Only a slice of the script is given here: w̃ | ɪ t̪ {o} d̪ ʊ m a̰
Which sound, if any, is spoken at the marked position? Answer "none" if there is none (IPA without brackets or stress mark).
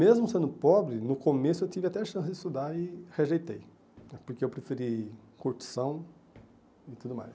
u